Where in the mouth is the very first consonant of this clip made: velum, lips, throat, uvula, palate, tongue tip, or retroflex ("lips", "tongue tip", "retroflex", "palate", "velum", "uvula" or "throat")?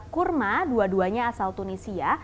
velum